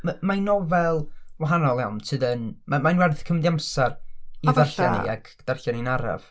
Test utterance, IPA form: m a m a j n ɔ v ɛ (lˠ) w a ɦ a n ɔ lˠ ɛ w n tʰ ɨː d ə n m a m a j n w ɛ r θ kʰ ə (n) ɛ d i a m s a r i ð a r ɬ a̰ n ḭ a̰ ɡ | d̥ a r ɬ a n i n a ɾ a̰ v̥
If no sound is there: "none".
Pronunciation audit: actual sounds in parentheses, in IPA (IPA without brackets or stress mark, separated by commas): lˠ, m